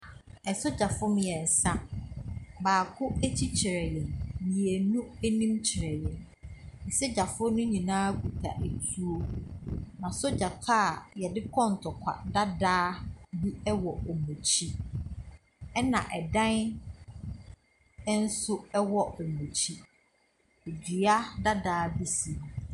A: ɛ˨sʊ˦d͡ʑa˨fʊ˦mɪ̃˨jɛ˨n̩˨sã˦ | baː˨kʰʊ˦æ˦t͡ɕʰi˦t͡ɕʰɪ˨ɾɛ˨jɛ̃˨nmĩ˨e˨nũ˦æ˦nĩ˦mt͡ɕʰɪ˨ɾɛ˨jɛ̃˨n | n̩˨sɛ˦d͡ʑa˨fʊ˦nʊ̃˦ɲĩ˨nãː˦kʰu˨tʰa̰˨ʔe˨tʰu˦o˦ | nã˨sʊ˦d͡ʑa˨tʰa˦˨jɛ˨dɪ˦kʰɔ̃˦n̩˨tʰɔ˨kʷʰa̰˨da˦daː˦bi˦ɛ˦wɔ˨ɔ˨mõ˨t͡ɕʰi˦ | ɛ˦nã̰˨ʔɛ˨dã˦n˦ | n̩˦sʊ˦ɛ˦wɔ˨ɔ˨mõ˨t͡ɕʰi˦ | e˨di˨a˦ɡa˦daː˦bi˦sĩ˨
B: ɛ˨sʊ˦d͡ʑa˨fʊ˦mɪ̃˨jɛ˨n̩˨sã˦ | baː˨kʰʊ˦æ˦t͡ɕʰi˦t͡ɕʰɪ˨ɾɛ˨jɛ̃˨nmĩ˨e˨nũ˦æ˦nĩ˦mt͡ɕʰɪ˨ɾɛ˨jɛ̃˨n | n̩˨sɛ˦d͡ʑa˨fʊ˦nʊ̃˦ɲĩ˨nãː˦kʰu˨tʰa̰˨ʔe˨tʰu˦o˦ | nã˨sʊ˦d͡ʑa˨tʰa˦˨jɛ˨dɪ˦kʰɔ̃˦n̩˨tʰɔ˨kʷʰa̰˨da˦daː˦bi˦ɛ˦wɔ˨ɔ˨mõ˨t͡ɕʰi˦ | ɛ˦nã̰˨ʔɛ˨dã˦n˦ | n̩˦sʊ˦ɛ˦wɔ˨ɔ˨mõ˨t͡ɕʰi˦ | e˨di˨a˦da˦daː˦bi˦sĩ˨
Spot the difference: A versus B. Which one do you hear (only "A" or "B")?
B